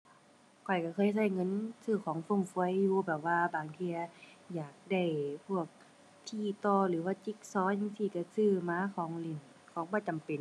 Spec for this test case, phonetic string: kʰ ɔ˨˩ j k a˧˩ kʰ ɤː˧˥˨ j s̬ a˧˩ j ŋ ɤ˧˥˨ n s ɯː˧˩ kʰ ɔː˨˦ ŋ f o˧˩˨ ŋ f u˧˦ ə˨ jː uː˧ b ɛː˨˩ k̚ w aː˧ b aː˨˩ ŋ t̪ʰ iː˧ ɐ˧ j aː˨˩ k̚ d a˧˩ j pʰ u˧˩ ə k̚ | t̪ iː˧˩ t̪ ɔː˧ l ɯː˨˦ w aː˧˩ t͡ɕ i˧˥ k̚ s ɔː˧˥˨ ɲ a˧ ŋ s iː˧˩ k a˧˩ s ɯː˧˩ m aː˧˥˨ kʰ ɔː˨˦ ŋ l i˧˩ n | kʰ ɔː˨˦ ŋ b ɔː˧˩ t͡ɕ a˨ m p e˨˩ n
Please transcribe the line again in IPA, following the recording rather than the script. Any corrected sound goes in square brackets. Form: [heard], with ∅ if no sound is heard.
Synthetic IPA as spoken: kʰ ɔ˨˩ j k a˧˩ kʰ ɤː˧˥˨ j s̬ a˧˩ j ŋ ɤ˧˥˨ n s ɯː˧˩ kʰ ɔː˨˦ ŋ f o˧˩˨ ŋ f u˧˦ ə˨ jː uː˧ b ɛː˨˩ [p̚] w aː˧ b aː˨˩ ŋ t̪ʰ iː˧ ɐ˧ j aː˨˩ k̚ d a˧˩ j pʰ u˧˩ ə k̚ | [t̪ʰ] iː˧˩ t̪ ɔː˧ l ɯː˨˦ w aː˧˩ t͡ɕ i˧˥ k̚ s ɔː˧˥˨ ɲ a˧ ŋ s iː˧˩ k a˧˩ s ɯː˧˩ m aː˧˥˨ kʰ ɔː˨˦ ŋ l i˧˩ n | kʰ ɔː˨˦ ŋ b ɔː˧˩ t͡ɕ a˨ m p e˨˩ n